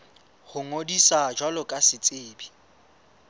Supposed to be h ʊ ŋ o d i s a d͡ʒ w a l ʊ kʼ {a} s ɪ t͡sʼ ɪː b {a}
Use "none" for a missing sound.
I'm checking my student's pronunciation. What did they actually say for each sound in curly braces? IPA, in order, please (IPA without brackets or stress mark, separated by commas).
a, i